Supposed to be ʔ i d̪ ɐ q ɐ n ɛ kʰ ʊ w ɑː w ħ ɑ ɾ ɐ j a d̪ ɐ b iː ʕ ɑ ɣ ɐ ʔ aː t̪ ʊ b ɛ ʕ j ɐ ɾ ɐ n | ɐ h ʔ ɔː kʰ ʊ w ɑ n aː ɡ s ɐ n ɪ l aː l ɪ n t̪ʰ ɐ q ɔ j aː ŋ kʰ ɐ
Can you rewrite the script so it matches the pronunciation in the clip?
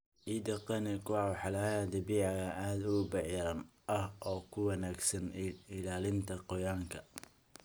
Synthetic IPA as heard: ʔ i d̪ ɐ q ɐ n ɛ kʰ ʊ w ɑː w ħ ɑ l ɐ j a d̪ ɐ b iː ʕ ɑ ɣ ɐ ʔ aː d̪ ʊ b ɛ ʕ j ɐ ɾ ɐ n | ɐ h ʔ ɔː kʰ ʊ w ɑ n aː ɡ s ɐ n ɪ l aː l ɪ n t̪ʰ ɐ q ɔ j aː ŋ kʰ ɐ